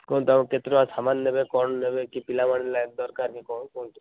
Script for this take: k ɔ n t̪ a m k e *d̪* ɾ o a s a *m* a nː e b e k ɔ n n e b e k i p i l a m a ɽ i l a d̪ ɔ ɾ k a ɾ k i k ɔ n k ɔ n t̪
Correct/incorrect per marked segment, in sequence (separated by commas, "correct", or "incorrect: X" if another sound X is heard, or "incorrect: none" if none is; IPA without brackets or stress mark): incorrect: t̪, correct